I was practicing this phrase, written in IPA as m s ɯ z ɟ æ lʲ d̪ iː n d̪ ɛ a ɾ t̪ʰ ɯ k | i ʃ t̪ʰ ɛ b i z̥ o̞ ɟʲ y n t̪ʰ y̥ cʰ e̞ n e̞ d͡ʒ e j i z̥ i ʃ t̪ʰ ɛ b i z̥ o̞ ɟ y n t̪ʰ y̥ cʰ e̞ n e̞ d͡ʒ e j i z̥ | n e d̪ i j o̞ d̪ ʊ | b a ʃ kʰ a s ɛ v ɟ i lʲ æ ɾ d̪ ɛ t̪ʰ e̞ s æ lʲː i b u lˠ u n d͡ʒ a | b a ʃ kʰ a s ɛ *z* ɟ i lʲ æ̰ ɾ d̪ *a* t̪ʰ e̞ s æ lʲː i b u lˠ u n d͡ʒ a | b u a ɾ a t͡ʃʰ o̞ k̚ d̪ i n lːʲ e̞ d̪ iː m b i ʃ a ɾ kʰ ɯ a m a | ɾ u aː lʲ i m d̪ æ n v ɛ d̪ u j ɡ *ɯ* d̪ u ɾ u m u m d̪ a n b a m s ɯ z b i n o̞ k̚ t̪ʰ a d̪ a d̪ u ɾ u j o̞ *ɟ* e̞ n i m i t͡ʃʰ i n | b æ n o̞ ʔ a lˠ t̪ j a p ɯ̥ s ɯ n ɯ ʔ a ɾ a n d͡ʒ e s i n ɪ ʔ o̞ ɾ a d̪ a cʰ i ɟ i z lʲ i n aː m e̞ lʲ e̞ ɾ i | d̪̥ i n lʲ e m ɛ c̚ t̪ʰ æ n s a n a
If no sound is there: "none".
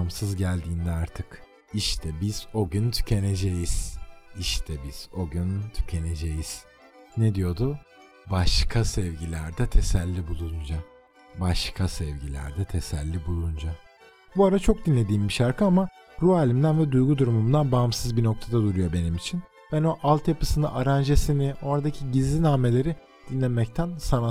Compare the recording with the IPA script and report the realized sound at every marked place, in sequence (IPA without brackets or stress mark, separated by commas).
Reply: v, ɛ, u, b